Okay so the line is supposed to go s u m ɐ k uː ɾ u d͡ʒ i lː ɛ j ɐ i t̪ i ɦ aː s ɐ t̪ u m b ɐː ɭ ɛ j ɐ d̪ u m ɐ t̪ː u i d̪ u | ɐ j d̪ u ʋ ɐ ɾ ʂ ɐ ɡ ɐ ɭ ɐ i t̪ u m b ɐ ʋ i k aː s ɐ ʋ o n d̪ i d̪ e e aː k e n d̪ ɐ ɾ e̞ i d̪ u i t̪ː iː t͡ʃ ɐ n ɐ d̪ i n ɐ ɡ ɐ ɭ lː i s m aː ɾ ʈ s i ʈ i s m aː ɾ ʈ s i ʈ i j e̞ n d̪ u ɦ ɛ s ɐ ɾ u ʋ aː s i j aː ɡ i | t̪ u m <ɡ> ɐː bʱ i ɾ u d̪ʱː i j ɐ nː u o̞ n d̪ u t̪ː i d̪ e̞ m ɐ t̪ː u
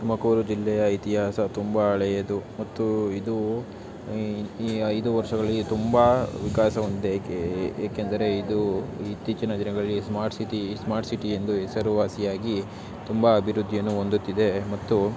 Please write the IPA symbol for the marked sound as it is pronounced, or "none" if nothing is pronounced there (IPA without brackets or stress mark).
b